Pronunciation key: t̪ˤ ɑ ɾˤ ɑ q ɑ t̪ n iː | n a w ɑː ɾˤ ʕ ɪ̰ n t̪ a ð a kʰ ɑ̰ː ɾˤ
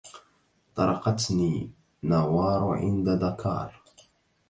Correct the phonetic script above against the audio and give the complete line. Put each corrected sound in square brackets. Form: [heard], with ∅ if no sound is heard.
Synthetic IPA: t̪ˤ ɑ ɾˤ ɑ q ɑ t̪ n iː | n a w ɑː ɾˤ ʕ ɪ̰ n [d̪] a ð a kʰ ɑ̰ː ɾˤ